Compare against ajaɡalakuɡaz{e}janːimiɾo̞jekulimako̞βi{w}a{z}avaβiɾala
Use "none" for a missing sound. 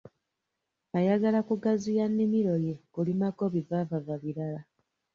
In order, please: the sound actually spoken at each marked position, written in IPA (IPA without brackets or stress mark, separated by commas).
i, v, v